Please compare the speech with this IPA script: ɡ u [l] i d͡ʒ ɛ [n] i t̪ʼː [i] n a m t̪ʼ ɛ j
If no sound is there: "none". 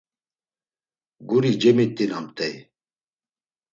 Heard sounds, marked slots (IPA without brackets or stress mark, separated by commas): ɾ, m, i